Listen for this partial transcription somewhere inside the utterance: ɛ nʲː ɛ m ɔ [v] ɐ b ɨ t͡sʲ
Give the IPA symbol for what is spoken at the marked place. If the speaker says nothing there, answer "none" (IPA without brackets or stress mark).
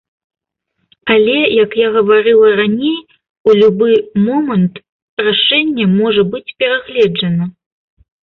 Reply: ʐ